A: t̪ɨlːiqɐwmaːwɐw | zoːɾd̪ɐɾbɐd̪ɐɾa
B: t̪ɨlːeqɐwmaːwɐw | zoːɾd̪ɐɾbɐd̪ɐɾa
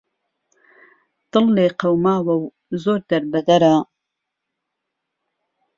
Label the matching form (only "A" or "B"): B